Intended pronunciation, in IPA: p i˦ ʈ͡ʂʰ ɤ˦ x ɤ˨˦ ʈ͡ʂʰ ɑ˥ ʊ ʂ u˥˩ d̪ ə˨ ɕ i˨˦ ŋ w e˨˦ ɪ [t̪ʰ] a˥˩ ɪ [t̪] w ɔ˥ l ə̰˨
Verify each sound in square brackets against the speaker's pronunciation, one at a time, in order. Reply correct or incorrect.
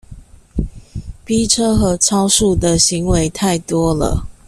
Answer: correct, correct

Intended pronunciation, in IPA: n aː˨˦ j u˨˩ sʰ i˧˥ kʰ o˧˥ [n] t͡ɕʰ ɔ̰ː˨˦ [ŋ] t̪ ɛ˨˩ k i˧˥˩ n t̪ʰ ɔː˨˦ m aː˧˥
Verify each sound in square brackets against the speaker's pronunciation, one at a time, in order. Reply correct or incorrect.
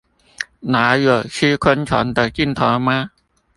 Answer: correct, incorrect

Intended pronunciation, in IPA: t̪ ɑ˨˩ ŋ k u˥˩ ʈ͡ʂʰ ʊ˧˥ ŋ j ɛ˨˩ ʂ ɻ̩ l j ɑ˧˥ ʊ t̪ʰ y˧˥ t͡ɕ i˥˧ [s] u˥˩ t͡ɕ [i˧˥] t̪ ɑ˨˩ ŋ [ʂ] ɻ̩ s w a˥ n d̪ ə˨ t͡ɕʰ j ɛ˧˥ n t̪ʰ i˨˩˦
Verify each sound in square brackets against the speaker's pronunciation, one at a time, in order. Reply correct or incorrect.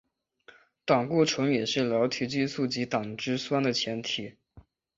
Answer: correct, correct, incorrect

